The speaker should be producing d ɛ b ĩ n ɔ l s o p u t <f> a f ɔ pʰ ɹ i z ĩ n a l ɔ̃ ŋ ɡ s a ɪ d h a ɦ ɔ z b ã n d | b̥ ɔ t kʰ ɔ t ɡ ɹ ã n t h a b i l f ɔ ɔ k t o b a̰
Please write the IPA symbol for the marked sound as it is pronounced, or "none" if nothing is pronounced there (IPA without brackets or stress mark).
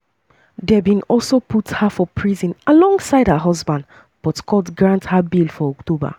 h